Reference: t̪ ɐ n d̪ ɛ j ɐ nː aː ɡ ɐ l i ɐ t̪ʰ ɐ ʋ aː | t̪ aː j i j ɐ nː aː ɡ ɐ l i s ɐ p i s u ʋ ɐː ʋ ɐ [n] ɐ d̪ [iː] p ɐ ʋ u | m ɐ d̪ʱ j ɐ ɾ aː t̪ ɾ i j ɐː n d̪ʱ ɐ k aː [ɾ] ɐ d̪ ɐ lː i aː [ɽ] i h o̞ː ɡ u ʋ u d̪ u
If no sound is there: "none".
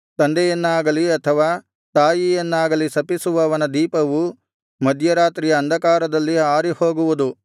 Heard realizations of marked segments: n, iː, ɾ, ɾ

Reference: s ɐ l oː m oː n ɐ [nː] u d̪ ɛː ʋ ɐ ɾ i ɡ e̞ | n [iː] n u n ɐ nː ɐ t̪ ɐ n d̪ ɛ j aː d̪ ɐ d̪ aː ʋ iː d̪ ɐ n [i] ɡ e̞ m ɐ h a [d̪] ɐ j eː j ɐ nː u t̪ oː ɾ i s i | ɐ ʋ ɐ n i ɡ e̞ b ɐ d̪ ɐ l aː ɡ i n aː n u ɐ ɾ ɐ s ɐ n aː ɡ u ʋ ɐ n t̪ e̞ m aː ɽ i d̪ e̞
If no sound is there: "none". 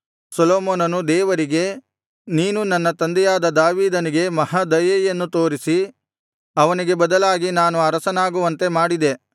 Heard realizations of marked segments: n, iː, i, d̪

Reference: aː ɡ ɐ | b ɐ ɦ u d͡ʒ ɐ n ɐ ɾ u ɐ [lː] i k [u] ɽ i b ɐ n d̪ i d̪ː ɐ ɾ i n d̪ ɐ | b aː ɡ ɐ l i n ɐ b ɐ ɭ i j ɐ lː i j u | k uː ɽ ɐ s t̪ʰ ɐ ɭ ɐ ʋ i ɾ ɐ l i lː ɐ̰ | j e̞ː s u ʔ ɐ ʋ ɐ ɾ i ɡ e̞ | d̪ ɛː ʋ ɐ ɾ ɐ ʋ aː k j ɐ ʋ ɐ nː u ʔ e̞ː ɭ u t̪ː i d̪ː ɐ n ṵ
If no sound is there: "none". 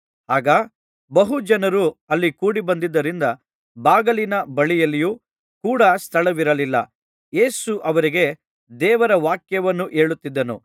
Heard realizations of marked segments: lː, uː

